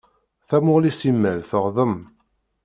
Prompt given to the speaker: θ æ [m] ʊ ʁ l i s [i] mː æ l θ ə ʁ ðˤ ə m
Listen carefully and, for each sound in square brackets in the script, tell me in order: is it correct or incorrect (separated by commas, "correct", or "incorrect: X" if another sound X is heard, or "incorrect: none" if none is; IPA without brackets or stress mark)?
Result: correct, correct